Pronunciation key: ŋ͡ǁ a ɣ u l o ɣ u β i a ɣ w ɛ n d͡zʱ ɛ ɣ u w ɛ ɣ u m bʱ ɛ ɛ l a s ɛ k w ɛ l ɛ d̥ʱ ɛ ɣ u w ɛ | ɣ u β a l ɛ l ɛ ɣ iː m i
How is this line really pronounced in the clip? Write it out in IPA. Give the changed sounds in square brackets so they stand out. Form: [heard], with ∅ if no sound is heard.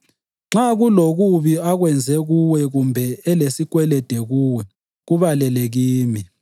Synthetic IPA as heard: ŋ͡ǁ a ɣ u l o ɣ u β i a ɣ w ɛ n d͡zʱ ɛ ɣ u w ɛ ɣ u m bʱ ɛ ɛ l [e] s [i] k w ɛ l ɛ d̥ʱ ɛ ɣ u w ɛ | ɣ u β a l ɛ l ɛ ɣ iː m i